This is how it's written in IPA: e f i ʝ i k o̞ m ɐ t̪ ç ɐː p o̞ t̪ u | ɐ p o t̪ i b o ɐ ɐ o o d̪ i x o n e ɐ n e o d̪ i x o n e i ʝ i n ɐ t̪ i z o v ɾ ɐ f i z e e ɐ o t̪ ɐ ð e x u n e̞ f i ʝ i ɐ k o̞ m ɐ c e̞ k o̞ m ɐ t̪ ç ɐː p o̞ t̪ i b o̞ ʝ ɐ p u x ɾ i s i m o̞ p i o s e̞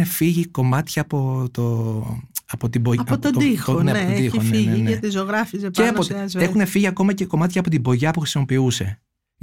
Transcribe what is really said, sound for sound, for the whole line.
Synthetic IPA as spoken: e f i ʝ i k o̞ m ɐ t̪ ç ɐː p o̞ t̪ o | ɐ p o t̪ i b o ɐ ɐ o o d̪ i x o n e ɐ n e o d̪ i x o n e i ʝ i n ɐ t̪ i z o ɣ ɾ ɐ f i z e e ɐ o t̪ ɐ z e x u n e̞ f i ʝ i ɐ k o̞ m ɐ c e̞ k o̞ m ɐ t̪ ç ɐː p o̞ t̪ i b o̞ ʝ ɐ p u x ɾ i s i m o̞ p i u s e̞